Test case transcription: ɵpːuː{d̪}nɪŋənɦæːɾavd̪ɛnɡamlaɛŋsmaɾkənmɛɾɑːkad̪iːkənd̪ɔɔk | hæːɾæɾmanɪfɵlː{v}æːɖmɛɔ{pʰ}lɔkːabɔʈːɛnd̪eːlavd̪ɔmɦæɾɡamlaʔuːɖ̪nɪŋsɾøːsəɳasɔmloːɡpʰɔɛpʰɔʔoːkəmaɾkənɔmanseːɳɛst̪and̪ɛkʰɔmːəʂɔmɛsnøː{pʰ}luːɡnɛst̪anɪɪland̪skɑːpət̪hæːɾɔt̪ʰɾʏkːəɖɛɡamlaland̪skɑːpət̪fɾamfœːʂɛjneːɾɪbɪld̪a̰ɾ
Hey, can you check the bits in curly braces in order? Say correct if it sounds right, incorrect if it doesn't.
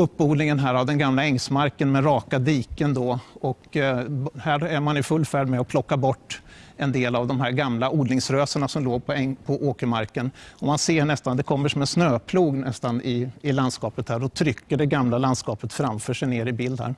correct, incorrect: f, correct, correct

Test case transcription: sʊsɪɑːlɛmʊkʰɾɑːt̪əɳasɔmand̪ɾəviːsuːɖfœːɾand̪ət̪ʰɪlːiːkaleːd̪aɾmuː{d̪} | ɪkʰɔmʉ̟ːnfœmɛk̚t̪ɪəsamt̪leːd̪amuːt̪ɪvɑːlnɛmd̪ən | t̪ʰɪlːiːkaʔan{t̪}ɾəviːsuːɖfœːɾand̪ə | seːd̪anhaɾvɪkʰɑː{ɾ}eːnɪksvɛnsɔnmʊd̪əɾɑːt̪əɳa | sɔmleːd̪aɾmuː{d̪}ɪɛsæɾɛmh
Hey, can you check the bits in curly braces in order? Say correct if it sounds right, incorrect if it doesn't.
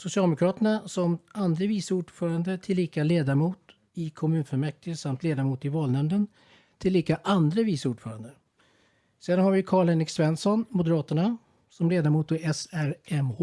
incorrect: t̪, incorrect: d̪, incorrect: ɭ, incorrect: t̪

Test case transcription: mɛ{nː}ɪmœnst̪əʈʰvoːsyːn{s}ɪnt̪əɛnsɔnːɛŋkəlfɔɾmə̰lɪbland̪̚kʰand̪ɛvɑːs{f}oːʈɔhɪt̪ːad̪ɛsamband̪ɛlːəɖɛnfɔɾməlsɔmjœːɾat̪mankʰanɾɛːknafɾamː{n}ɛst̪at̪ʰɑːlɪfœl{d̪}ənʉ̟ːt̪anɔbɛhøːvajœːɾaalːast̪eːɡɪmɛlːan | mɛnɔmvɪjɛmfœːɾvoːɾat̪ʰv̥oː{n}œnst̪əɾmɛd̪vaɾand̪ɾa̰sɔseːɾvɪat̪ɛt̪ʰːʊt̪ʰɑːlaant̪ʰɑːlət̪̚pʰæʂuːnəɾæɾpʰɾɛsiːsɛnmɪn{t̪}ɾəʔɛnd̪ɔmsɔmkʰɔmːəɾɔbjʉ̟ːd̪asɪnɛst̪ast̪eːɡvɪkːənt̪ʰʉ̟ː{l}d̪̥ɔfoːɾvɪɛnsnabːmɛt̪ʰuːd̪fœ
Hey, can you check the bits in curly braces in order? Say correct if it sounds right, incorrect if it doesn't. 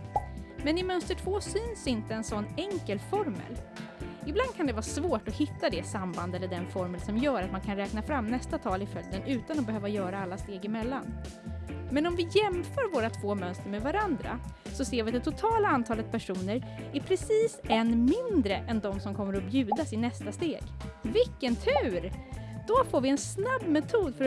incorrect: n, correct, incorrect: v, correct, correct, incorrect: m, incorrect: d̪, incorrect: ɾ

